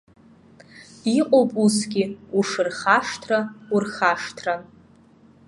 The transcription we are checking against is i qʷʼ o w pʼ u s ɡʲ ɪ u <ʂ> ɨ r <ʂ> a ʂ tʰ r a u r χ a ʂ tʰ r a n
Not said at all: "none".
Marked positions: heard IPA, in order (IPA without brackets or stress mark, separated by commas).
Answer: ʂ, χ